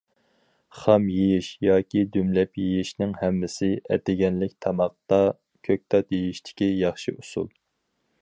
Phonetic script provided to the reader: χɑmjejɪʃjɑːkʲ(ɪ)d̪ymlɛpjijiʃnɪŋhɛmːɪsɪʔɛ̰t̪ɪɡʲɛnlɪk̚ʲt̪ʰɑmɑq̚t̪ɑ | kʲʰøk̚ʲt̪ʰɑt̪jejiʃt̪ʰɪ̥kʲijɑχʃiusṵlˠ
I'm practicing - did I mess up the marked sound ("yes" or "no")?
yes